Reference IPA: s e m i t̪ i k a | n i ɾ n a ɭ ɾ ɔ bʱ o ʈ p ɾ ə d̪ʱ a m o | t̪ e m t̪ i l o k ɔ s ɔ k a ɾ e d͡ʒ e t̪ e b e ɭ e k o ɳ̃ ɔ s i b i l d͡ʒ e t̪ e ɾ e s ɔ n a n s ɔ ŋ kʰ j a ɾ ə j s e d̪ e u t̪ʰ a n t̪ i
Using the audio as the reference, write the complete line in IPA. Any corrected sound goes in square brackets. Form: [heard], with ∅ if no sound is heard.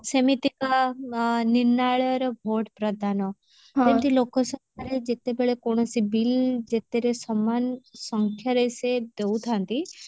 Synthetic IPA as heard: s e m i t̪ i k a | n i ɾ n a ɭ ɾ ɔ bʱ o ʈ p ɾ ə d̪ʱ a [n] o | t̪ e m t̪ i l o k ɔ s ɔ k a ɾ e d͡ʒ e t̪ e b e ɭ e k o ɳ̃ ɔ s i b i l d͡ʒ e t̪ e ɾ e s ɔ [m] a n s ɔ ŋ kʰ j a ɾ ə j s e d̪ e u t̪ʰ a n t̪ i